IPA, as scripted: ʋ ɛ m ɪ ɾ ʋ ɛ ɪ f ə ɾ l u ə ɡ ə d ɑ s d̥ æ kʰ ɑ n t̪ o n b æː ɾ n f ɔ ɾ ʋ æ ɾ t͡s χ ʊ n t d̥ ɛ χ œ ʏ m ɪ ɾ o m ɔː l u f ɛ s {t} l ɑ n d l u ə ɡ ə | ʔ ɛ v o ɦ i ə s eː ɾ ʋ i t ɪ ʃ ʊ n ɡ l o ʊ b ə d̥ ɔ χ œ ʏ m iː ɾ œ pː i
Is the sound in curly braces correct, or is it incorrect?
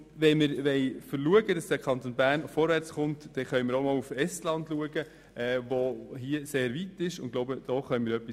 correct